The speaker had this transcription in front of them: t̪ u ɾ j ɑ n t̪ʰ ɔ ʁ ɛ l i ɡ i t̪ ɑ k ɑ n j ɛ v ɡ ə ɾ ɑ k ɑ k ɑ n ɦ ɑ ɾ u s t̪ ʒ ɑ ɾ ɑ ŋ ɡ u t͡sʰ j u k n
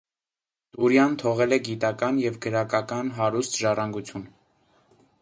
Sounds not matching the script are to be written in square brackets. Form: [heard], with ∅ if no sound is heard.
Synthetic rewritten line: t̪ u ɾ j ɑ n t̪ʰ ɔ ʁ ɛ l [ɛ] ɡ i t̪ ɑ k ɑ n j ɛ v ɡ ə ɾ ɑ k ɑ k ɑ n ɦ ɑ ɾ u s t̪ ʒ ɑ [r] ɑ ŋ ɡ u t͡sʰ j u [∅] n